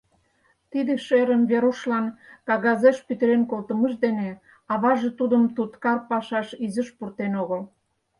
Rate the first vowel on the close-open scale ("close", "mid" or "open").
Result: close